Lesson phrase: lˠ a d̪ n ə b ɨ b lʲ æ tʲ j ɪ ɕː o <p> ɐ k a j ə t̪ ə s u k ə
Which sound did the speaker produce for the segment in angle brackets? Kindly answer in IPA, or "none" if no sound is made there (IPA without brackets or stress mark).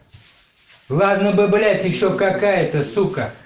k